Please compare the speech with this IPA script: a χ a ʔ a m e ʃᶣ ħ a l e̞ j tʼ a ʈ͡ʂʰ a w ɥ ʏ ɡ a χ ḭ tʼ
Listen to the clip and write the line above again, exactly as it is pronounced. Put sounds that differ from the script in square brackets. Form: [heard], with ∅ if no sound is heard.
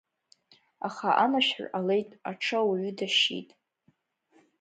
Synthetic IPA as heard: a χ a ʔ a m [a] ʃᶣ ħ a l e̞ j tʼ a ʈ͡ʂʰ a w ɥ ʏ [d] a [ʃ] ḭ tʼ